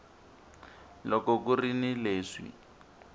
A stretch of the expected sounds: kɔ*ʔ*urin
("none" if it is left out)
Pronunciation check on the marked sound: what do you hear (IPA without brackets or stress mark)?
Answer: k